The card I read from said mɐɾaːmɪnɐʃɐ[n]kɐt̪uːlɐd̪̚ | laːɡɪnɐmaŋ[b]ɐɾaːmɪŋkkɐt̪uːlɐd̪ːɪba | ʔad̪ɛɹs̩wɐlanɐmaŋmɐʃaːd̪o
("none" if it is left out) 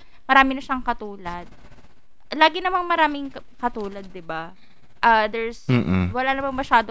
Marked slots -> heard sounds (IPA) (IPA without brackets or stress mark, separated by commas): ŋ, m